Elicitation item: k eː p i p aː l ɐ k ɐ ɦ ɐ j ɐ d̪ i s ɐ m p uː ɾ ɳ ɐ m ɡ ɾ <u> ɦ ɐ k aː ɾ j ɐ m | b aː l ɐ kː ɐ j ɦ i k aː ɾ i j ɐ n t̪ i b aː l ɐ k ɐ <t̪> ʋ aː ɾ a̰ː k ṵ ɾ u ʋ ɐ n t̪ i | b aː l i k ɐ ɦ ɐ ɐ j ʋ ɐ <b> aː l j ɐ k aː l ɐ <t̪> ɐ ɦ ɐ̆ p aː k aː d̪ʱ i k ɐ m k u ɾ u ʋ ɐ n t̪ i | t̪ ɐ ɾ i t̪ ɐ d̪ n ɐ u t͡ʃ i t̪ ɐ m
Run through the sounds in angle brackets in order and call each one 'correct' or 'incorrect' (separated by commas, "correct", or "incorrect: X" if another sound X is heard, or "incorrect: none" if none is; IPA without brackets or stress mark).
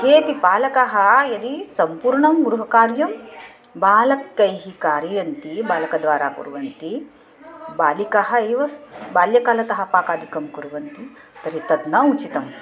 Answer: correct, incorrect: d̪, correct, correct